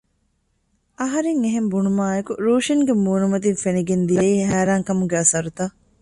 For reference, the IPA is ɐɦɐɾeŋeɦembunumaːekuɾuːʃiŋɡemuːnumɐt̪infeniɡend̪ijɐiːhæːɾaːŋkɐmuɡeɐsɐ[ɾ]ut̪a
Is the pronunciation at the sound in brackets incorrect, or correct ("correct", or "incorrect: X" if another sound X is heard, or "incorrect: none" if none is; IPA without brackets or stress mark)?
correct